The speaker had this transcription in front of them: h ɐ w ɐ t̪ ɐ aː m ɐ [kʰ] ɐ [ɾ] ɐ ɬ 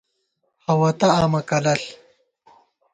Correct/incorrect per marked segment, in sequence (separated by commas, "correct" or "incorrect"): incorrect, incorrect